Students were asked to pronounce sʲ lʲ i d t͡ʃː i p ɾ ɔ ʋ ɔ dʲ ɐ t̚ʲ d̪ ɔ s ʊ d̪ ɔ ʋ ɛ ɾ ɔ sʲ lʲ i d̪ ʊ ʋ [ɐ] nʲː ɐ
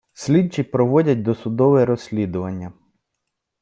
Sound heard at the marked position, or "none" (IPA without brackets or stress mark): ɐ